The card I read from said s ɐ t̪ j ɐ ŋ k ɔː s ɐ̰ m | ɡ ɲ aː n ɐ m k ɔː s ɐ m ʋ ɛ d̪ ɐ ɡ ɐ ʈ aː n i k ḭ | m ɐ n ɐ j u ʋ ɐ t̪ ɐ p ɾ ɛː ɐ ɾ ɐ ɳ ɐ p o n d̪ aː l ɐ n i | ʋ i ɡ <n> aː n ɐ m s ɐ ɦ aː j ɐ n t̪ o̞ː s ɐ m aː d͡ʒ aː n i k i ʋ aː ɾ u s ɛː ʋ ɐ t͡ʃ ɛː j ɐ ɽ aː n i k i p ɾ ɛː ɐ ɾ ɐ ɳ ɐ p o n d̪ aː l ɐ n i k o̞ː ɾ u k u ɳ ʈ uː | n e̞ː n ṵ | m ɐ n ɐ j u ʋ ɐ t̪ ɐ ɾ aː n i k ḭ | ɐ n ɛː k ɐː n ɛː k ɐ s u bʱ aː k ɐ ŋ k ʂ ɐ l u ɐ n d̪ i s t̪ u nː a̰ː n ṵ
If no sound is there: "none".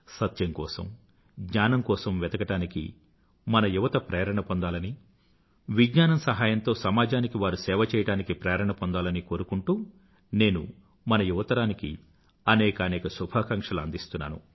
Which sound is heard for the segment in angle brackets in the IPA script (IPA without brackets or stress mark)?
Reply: ɲ